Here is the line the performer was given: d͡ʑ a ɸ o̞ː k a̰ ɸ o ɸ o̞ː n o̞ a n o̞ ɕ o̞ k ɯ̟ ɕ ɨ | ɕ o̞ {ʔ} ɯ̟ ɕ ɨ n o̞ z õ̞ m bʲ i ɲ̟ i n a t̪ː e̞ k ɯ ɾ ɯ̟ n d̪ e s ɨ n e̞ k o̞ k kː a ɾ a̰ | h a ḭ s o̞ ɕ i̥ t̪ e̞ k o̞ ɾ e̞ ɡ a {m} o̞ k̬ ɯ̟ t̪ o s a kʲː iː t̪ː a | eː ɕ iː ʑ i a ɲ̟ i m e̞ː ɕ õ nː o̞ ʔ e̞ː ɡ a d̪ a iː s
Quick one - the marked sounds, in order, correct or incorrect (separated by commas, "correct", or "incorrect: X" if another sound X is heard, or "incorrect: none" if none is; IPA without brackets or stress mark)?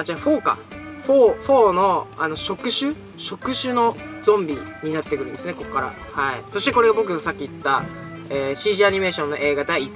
incorrect: k, incorrect: b